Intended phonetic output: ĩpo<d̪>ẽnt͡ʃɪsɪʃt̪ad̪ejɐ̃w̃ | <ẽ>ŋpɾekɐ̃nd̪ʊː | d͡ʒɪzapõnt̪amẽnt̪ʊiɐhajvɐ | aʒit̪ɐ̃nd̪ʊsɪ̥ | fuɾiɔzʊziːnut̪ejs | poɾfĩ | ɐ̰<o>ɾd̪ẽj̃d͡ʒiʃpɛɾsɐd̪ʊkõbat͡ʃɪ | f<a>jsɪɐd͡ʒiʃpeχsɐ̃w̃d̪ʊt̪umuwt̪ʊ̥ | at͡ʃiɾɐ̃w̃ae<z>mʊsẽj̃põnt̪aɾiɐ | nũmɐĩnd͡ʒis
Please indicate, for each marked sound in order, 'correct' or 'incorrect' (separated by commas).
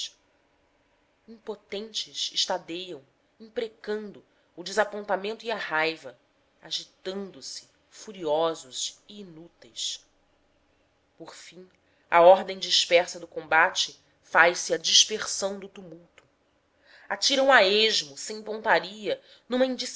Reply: incorrect, incorrect, incorrect, correct, incorrect